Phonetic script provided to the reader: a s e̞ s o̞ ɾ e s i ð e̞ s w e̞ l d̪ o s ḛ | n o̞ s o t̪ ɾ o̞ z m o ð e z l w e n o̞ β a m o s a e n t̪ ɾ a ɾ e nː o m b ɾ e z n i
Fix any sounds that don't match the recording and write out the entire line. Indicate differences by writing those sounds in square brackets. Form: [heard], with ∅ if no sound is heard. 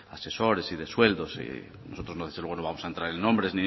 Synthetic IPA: a s e̞ s o̞ ɾ e s i ð e̞ s w e̞ l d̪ o s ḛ | n o̞ s o t̪ ɾ o̞ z [n] o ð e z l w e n o̞ β a m o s a e n t̪ ɾ a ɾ e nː o m b ɾ e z n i